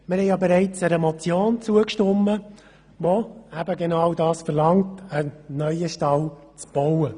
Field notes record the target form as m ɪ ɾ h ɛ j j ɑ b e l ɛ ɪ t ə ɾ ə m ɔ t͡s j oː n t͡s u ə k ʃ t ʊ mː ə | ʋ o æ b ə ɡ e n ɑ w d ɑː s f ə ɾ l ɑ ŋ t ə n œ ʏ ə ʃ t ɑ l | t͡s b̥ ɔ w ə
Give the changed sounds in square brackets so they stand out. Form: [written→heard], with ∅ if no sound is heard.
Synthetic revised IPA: m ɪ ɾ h ɛ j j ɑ b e [l→ɾ] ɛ ɪ [t→t͡s] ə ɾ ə m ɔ t͡s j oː n t͡s u ə k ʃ t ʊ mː ə | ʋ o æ b ə ɡ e n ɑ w d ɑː s f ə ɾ l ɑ ŋ t ə n œ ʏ ə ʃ t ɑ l | t͡s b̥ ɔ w ə

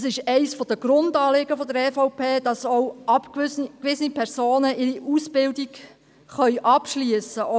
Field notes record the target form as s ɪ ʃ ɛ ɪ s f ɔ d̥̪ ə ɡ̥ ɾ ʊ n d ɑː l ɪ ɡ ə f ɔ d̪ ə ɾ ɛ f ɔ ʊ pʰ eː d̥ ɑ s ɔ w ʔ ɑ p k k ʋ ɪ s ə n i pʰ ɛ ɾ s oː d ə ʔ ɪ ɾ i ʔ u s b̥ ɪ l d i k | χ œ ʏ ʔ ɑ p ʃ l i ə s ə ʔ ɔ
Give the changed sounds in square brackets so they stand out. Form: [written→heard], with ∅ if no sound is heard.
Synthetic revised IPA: s ɪ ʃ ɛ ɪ s f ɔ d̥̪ ə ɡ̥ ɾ ʊ n d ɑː l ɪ ɡ ə f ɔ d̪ ə ɾ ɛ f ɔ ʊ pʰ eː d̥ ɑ s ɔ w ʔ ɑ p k k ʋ ɪ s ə n i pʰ ɛ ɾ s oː [d→n] ə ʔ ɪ ɾ i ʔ u s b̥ ɪ l d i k | χ œ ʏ ʔ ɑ p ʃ l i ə s ə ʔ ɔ

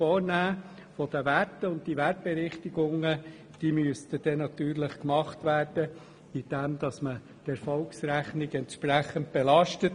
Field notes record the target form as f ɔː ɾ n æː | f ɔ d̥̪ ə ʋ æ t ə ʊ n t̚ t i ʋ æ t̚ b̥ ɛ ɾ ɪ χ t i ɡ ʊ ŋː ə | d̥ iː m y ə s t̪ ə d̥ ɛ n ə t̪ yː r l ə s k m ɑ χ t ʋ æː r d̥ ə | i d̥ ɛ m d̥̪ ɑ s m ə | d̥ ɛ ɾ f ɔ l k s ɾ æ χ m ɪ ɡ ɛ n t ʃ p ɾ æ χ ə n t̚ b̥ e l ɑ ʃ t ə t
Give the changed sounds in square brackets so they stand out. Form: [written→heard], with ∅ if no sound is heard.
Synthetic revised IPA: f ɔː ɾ n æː | f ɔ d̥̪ ə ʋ æ t ə ʊ n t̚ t i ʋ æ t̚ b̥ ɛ ɾ ɪ χ t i ɡ ʊ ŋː ə | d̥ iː m y ə s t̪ ə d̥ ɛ n [ə→ɑ] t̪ yː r l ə [s→χ] k m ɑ χ t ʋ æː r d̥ ə | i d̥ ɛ m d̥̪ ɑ s m ə | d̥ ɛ ɾ f ɔ l k s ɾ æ χ [m→n] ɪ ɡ ɛ n t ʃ p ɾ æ χ ə n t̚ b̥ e l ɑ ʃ t ə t

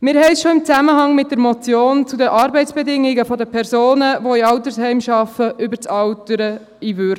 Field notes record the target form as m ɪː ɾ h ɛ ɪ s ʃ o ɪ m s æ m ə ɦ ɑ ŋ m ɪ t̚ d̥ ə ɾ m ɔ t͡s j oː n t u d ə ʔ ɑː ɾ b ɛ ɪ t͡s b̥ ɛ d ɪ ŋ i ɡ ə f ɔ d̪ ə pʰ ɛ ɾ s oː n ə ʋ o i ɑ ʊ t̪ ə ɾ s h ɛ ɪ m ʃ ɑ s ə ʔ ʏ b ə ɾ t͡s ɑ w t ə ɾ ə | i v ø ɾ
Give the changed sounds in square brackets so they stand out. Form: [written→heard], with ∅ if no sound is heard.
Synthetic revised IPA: m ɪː ɾ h ɛ ɪ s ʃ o ɪ m [s→t͡s] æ m ə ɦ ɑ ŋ m ɪ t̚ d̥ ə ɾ m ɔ t͡s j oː n [t→t͡s] u d ə ʔ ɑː ɾ b ɛ ɪ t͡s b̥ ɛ d ɪ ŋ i ɡ ə f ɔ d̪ ə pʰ ɛ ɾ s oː n ə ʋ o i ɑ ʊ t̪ ə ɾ s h ɛ ɪ m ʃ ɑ [s→f] ə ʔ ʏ b ə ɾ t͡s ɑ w t ə ɾ ə | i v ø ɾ

